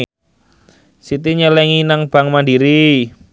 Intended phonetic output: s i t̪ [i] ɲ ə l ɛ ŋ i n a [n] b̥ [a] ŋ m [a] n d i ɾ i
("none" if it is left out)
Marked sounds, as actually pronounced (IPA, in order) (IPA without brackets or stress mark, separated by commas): i, ŋ, a, a